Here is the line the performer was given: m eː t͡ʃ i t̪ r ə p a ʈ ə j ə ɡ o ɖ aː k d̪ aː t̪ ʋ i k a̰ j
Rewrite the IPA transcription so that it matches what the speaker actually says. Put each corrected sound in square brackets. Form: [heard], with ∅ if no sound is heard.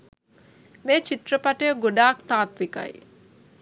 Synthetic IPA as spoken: m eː t͡ʃ i t̪ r ə p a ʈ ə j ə ɡ o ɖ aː k [t̪] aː t̪ ʋ i k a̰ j